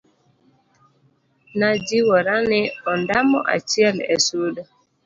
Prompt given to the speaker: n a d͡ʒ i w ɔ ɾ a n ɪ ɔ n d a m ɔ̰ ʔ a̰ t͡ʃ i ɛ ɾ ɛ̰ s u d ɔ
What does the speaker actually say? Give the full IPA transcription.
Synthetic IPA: n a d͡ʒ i w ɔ ɾ a n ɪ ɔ n d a m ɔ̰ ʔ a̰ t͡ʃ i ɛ l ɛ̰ s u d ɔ